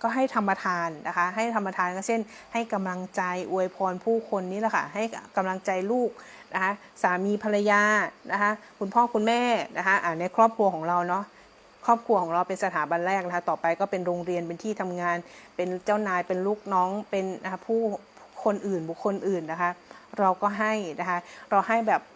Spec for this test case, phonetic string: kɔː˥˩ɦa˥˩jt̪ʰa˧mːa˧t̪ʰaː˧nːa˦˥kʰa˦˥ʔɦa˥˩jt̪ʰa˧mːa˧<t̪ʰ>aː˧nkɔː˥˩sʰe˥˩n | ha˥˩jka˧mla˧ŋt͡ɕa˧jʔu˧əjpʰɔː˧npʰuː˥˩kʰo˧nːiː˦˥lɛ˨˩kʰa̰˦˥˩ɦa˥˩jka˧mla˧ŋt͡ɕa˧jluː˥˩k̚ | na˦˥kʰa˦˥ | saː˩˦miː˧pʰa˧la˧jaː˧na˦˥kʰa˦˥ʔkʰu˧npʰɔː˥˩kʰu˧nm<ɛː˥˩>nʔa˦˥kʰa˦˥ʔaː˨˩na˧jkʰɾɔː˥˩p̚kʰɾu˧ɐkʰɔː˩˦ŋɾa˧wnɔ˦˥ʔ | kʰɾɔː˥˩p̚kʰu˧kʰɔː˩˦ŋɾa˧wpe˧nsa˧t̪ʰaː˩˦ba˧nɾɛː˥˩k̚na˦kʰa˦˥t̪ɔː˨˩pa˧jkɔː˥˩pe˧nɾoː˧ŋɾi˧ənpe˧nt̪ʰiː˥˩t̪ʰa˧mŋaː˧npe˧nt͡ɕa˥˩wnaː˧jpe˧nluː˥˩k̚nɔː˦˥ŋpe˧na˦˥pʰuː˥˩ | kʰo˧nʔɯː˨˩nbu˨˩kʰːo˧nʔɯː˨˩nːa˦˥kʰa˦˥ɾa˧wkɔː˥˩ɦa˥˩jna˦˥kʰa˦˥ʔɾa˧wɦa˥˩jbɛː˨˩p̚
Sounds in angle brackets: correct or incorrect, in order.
correct, correct

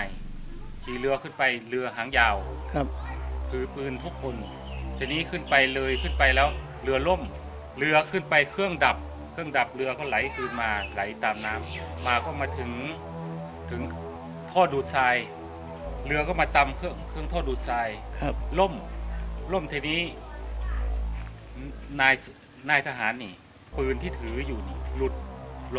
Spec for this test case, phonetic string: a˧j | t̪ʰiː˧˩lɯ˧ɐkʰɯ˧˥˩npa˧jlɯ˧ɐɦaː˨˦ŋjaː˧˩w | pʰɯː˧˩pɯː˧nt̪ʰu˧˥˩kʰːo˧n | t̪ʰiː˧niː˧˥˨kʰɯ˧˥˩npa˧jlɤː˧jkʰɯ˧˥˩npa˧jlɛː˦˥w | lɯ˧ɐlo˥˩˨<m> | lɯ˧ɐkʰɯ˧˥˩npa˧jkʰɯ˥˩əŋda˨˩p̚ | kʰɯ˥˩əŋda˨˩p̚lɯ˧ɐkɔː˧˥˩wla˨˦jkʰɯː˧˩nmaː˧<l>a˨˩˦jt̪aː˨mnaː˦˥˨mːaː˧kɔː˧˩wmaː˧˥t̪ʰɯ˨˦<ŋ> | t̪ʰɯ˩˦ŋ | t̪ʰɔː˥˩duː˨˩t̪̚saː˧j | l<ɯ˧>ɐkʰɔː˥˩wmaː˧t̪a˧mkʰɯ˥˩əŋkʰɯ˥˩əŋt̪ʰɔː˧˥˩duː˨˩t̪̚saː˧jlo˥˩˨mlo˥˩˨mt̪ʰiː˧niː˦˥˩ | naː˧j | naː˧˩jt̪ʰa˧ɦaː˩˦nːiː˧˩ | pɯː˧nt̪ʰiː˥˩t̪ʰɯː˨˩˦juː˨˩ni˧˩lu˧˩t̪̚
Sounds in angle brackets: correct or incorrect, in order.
correct, correct, correct, correct

